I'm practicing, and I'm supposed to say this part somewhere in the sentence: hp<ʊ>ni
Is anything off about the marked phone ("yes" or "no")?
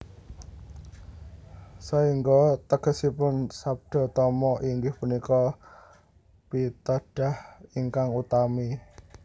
yes